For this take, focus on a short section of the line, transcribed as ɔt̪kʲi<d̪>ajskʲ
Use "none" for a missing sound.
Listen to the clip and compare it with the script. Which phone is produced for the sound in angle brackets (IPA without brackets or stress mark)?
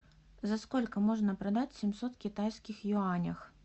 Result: t̪